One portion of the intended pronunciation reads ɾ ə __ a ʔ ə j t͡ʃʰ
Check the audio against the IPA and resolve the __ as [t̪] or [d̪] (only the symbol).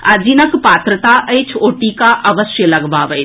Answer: t̪